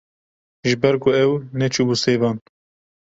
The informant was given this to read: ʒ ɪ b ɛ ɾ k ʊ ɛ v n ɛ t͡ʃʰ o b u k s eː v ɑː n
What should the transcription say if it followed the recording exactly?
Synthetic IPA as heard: ʒ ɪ b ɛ ɾ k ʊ ɛ w n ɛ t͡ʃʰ u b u s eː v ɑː n